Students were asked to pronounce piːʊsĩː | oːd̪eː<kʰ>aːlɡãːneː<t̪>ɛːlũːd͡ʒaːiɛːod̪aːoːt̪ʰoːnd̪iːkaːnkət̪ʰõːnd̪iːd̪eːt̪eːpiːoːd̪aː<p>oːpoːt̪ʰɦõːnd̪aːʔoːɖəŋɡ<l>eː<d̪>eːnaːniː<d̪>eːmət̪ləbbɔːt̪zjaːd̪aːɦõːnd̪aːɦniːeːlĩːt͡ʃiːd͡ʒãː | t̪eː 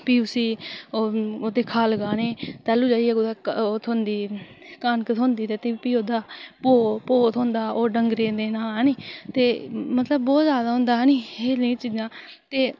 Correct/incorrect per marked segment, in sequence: correct, correct, correct, incorrect: ɾ, correct, incorrect: t̪

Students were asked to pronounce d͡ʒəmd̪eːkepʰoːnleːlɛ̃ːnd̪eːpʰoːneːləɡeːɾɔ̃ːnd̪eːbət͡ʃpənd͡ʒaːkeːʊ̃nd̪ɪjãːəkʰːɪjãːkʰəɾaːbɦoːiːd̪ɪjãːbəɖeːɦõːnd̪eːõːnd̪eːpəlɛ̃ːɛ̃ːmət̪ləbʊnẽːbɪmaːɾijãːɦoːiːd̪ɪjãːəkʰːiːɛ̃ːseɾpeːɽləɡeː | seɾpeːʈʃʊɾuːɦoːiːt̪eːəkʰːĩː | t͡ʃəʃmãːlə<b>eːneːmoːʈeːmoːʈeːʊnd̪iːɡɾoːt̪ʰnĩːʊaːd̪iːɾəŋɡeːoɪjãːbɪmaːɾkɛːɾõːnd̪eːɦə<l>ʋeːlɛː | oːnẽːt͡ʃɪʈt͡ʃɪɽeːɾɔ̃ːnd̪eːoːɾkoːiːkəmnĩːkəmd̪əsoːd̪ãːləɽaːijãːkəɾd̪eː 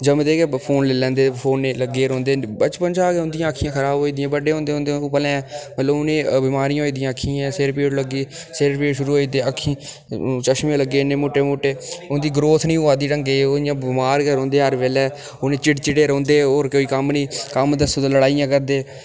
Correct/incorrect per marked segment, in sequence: incorrect: ɡ, incorrect: ɾ

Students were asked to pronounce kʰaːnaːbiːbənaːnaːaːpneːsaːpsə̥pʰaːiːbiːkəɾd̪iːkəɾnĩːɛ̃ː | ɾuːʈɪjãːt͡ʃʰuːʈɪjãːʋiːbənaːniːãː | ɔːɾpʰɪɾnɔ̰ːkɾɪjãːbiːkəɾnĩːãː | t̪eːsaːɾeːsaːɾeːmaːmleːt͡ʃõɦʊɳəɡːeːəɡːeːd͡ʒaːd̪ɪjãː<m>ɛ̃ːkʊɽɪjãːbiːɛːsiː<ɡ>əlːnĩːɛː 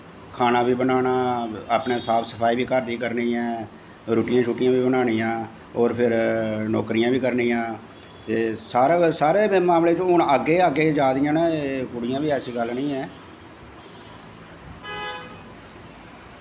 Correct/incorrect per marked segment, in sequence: incorrect: n, correct

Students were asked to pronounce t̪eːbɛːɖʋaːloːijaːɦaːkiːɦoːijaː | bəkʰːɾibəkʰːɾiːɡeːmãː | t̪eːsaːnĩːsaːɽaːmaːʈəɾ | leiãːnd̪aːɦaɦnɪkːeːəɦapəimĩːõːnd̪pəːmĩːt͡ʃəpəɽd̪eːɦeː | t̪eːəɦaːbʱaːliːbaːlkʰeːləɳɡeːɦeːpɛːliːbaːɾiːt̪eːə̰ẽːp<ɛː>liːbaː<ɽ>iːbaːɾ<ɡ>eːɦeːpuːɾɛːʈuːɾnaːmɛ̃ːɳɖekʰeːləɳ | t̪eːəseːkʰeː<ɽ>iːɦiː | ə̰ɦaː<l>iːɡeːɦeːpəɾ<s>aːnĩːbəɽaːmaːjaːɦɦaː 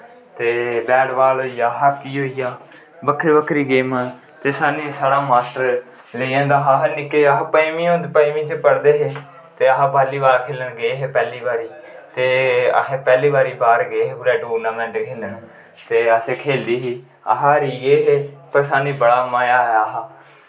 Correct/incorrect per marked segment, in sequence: correct, incorrect: ɾ, correct, incorrect: l, incorrect: ɾ, correct

